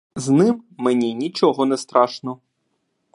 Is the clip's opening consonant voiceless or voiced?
voiced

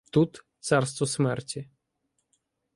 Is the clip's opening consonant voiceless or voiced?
voiceless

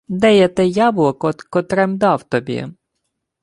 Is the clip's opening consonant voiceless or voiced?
voiced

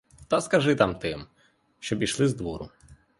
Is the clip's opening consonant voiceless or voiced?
voiceless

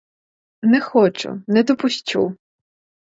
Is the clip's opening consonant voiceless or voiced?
voiced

